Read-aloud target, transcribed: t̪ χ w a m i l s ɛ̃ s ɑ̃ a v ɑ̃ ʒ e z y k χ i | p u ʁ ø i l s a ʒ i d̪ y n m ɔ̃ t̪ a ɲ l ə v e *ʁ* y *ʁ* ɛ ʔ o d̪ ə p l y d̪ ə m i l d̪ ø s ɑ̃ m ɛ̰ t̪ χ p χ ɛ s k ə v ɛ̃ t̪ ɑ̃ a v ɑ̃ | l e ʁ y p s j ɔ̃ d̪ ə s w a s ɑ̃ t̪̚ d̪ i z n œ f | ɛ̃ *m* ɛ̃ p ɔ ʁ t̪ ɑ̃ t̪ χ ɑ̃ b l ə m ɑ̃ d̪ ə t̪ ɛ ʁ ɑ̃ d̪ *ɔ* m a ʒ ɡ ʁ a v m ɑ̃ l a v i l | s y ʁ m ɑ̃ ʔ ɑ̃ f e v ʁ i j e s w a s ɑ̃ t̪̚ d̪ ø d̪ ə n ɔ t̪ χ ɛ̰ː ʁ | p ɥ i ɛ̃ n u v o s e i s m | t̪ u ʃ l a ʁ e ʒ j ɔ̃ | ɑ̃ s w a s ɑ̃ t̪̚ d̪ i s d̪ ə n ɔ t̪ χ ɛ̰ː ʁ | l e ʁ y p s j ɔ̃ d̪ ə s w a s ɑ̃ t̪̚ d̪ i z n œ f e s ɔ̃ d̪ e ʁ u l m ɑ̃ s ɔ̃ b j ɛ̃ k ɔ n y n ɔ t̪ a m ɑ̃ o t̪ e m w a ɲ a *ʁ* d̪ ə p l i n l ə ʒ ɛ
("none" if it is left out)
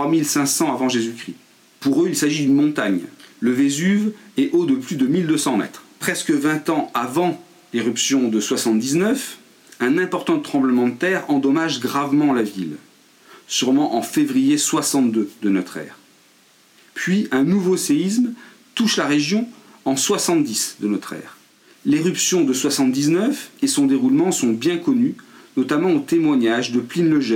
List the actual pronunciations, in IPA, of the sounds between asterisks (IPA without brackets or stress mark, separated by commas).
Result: z, v, n, ɔ, ʒ